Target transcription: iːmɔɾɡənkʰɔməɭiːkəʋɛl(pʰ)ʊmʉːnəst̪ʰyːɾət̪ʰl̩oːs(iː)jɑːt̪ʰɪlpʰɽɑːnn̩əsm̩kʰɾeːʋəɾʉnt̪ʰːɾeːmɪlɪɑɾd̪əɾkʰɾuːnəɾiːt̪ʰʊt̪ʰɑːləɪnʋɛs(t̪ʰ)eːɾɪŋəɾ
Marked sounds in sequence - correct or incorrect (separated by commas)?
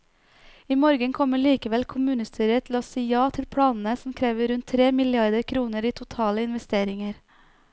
incorrect, correct, incorrect